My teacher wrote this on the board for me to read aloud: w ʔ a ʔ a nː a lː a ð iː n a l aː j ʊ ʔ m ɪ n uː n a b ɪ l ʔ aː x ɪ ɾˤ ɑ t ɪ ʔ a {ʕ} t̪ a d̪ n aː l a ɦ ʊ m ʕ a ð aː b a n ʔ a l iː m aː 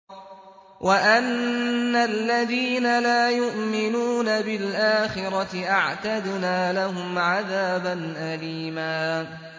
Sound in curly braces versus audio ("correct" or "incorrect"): correct